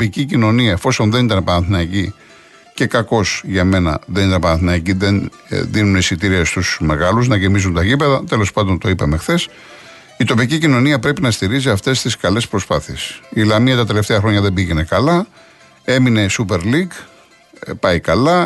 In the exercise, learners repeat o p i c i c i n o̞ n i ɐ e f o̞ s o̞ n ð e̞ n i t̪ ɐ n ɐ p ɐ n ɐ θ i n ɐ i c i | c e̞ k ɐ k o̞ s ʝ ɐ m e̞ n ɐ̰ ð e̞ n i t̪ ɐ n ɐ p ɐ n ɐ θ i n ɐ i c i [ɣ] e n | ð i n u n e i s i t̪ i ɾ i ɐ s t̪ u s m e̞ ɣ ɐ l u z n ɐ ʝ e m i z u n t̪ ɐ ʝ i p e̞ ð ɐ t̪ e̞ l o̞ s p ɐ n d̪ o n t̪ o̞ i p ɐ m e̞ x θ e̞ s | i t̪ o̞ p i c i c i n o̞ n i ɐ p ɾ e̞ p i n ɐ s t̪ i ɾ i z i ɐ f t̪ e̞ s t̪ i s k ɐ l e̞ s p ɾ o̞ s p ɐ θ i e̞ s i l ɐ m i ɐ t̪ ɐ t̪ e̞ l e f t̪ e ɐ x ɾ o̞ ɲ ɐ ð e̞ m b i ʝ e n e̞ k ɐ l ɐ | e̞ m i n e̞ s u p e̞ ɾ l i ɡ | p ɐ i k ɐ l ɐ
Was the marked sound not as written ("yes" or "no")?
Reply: yes